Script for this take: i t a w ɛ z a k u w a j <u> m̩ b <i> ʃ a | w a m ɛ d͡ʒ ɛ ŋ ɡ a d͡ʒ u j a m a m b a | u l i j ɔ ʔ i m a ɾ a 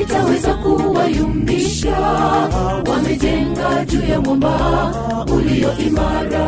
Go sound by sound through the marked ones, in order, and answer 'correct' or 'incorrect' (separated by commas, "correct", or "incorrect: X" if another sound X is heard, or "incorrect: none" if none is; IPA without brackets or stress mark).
correct, correct